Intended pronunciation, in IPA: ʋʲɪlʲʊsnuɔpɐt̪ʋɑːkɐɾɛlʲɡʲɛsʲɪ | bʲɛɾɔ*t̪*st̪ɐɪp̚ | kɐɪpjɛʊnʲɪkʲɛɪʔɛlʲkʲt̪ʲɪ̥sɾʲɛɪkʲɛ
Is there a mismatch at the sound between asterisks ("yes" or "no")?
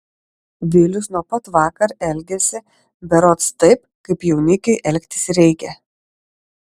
no